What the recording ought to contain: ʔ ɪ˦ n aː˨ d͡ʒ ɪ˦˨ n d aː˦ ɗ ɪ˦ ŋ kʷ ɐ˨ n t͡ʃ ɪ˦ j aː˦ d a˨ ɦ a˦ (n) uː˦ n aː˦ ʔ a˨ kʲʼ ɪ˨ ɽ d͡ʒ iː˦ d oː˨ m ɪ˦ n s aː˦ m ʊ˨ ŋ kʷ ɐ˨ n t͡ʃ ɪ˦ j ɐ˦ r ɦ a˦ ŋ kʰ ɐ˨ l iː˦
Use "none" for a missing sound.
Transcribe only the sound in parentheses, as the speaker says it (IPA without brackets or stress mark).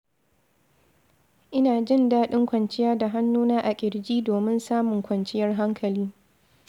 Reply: nː